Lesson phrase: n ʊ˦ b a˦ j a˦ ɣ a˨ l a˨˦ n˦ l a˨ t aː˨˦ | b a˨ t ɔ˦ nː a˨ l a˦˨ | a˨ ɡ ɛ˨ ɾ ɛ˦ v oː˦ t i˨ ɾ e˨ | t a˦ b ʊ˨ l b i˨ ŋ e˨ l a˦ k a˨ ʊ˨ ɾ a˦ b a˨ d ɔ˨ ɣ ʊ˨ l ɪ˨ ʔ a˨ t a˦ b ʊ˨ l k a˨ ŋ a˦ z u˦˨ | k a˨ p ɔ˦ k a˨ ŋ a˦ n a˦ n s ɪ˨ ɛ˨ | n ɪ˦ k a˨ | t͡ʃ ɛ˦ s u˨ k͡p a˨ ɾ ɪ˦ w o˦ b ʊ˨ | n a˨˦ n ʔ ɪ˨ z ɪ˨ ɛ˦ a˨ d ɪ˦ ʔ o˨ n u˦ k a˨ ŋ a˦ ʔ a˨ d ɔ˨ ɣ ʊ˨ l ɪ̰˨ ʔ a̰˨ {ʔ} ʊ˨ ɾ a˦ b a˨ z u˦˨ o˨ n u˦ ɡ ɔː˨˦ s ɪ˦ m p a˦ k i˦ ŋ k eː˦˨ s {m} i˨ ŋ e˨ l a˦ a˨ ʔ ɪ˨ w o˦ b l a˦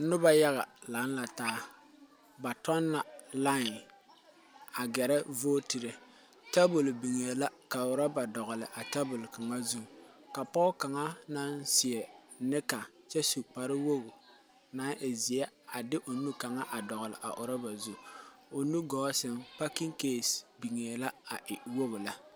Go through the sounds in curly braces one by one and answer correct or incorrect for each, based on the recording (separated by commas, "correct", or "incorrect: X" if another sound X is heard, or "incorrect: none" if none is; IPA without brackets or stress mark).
correct, incorrect: b